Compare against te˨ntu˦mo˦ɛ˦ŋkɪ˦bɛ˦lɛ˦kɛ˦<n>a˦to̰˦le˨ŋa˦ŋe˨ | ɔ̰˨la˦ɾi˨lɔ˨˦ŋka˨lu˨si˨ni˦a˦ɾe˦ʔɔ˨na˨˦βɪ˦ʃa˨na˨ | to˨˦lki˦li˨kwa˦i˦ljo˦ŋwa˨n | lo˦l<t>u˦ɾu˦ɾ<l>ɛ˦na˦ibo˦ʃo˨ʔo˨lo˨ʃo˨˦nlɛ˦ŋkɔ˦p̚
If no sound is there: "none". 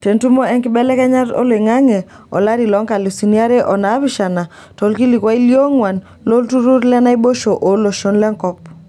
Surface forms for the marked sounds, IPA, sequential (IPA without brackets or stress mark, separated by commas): ɲ, t, l